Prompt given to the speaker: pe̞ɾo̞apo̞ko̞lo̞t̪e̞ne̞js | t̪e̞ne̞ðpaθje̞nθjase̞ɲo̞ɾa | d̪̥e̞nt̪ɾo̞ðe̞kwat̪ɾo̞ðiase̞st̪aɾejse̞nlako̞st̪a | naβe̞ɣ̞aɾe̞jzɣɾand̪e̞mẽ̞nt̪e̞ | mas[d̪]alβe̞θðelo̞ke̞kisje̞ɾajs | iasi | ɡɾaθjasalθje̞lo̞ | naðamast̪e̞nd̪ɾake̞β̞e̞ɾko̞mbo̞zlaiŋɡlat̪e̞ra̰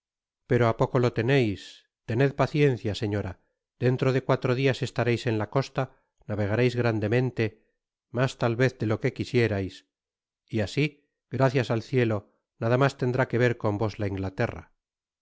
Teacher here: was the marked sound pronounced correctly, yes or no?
no